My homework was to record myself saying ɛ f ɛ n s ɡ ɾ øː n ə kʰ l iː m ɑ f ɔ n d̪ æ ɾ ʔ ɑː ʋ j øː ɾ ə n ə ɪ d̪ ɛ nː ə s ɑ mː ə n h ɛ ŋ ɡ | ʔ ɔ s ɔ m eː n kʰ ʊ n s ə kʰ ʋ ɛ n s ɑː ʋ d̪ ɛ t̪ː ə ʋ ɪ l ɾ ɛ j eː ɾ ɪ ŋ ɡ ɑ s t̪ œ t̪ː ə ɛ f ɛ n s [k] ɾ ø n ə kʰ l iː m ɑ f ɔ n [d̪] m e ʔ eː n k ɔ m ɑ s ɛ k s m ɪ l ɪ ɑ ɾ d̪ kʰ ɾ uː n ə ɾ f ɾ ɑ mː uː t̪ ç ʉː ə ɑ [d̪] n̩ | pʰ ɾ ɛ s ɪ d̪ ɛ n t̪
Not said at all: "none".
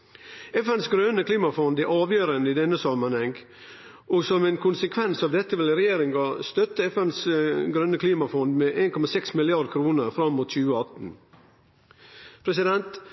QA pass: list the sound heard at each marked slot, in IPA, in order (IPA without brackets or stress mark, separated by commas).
ɡ, d̪, t̪